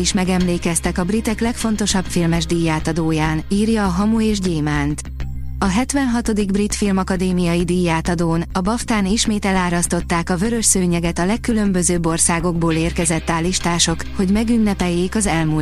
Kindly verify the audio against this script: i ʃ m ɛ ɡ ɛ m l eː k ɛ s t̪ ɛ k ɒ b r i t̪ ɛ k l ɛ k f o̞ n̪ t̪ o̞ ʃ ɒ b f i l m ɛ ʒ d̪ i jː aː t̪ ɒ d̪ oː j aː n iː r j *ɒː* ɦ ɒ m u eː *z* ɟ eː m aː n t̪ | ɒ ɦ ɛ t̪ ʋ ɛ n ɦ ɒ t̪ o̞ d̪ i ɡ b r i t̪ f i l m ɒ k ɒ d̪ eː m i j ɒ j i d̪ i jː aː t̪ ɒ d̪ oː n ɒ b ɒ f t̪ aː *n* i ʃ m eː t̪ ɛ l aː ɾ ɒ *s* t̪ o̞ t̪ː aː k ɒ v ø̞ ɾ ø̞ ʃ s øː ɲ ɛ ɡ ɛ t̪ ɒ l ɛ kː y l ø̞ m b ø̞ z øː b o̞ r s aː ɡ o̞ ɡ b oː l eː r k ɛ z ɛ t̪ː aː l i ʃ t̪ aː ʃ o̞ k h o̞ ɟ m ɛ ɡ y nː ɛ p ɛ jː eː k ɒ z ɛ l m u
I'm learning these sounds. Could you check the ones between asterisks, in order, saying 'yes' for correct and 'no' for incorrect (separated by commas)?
yes, no, yes, yes